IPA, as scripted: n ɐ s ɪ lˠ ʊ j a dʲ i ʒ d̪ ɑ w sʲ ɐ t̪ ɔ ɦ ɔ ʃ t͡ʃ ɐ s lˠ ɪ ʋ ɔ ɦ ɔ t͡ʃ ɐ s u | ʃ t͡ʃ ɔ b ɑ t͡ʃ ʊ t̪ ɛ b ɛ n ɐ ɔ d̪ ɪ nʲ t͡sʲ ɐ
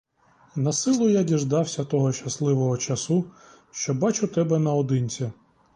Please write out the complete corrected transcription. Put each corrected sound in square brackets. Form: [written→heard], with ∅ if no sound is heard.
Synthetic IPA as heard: n ɐ s ɪ lˠ ʊ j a dʲ i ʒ d̪ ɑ w sʲ ɐ t̪ ɔ ɦ ɔ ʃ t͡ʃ ɐ s lˠ ɪ ʋ ɔ ɦ ɔ t͡ʃ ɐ s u | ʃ t͡ʃ ɔ b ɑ t͡ʃ ʊ t̪ ɛ b ɛ n ɐ ɔ d̪ ɪ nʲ t͡sʲ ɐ